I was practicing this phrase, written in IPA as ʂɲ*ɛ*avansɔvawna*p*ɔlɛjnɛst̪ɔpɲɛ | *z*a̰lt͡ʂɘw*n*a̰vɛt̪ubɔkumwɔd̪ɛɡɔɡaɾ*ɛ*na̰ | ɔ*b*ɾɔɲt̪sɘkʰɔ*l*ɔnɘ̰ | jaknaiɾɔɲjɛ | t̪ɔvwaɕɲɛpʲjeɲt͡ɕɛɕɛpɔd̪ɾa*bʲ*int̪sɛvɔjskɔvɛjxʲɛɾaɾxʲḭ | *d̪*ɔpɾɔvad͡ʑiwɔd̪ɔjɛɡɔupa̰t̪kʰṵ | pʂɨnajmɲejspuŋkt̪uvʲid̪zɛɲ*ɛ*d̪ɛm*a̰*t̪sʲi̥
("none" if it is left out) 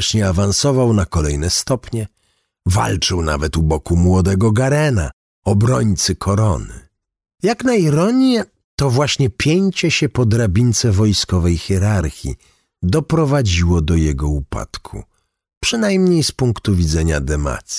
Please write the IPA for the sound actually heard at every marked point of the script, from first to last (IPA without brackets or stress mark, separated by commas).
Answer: ɛ, k, v, n, ɛ, b, ɾ, bʲ, d̪, a, a̰